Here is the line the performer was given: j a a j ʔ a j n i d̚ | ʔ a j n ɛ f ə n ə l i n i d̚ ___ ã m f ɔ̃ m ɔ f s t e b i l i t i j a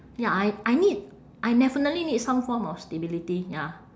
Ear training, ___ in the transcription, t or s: s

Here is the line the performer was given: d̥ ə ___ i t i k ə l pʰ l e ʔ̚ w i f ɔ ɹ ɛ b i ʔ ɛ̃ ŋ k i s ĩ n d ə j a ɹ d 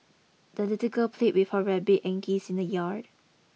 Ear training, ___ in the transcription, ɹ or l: l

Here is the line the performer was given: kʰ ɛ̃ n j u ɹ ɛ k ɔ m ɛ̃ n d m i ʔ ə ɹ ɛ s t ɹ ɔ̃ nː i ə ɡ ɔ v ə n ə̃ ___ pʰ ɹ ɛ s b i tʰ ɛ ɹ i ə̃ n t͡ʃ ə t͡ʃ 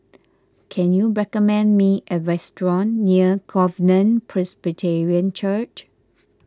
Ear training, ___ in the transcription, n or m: n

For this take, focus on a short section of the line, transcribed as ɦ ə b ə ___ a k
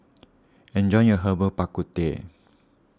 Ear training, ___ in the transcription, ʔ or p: p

